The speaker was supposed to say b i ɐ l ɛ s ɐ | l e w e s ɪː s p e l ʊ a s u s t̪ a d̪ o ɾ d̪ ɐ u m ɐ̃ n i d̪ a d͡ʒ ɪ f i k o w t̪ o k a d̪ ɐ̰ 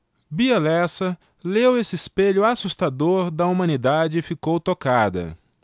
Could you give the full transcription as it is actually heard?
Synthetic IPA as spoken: b i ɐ l ɛ s ɐ | l e w e s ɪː s p e ʎ ʊ a s u s t̪ a d̪ o ɾ d̪ ɐ u m ɐ̃ n i d̪ a d͡ʒ ɪ f i k o w t̪ o k a d̪ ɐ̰